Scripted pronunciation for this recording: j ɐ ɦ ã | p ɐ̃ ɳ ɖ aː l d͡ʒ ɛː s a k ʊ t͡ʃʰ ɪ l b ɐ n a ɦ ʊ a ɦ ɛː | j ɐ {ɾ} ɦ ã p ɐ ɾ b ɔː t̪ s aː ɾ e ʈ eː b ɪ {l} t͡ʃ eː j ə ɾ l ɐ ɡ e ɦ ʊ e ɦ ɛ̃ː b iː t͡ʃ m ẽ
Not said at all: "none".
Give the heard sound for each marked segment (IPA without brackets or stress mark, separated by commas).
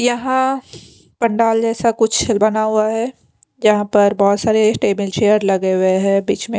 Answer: none, l